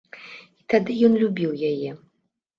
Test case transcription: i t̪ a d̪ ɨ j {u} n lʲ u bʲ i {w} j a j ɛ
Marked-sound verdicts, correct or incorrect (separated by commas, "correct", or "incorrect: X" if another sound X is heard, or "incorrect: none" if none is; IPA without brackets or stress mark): incorrect: ɔ, correct